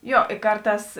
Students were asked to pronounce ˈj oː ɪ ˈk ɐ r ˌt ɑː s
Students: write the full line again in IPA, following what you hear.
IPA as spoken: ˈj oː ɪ ˈk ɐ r ˌt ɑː s